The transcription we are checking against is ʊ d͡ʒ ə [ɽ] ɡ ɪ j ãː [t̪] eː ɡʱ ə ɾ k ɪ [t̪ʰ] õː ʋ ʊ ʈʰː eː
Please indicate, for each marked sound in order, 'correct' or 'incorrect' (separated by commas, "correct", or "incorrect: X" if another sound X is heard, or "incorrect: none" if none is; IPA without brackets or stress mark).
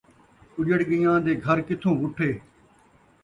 correct, incorrect: d̪, correct